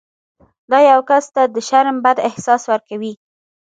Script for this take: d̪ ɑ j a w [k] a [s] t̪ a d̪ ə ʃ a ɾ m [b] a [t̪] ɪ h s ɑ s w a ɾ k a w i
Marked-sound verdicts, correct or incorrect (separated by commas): correct, correct, correct, incorrect